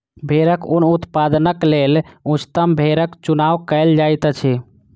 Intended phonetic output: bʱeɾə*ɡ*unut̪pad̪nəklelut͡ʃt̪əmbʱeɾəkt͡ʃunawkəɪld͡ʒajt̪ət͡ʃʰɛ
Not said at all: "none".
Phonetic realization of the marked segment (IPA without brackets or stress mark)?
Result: k